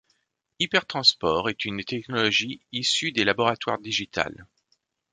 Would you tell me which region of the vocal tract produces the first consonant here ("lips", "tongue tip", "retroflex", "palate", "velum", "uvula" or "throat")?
lips